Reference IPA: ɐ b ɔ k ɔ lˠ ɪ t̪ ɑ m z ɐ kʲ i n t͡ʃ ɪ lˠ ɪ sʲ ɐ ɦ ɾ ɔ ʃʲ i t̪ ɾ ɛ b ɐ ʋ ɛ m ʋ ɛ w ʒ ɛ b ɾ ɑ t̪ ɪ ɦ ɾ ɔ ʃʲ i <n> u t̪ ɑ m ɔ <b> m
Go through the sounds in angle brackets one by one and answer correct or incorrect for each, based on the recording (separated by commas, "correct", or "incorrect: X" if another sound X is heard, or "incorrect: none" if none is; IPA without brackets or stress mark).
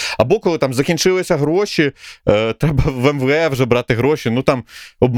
correct, correct